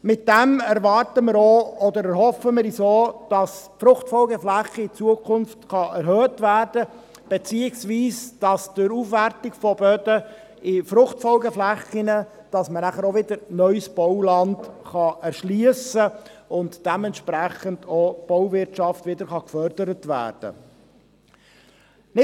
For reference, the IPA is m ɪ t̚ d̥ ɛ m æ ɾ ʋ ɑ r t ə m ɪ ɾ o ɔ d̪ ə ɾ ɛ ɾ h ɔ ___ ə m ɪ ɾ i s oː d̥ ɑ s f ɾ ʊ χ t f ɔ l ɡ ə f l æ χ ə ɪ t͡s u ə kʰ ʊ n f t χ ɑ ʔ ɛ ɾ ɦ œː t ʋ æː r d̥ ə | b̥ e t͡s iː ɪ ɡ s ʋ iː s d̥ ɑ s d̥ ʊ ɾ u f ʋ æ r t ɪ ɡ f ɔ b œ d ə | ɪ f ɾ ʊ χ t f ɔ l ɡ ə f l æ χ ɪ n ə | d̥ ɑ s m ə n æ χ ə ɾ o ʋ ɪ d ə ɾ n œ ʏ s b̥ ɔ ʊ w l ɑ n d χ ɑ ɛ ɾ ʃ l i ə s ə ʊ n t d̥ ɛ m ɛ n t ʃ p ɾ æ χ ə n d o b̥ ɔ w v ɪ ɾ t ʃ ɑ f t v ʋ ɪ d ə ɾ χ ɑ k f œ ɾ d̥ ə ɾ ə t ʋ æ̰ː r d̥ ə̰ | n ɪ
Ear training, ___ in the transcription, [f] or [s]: f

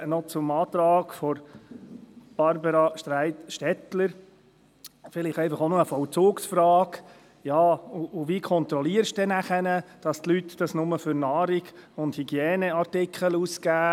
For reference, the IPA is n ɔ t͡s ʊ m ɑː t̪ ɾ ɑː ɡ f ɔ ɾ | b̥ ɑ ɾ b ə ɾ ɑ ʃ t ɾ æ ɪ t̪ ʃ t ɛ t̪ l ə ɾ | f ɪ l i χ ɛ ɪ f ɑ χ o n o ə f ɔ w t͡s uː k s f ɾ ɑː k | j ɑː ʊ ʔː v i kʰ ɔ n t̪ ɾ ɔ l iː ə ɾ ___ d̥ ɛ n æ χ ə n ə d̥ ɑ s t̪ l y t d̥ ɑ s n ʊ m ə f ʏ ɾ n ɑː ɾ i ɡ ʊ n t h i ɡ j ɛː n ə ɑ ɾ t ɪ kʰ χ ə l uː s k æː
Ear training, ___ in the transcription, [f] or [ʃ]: ʃ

